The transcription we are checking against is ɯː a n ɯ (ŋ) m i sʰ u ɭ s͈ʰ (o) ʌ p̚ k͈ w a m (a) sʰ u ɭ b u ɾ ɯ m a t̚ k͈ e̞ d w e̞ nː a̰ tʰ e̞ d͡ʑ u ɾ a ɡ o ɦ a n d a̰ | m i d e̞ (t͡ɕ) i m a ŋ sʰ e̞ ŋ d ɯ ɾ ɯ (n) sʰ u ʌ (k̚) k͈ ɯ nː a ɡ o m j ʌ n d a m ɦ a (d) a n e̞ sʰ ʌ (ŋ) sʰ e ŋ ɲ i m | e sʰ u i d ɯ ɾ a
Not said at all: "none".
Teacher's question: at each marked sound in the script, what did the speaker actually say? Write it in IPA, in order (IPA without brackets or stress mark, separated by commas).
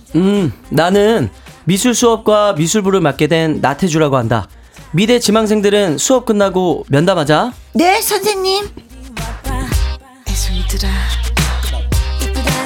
n, u, i, t͡ɕ, n, p̚, d͡ʑ, n